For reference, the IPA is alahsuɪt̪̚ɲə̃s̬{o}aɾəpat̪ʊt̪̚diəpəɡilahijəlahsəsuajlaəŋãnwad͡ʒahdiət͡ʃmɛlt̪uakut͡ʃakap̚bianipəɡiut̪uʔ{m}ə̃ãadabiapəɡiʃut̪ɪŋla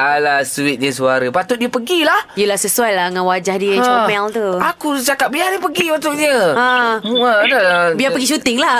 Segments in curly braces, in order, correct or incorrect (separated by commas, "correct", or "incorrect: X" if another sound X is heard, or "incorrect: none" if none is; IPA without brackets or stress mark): incorrect: u, incorrect: ɲ